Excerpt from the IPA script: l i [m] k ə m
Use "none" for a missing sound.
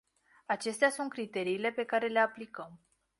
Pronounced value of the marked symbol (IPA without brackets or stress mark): none